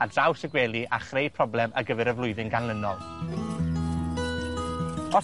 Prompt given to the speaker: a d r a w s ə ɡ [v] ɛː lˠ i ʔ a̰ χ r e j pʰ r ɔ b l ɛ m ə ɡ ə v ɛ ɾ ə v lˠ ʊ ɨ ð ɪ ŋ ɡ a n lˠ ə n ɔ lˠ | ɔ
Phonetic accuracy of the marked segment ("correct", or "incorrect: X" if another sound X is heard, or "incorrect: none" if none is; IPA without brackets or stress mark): incorrect: w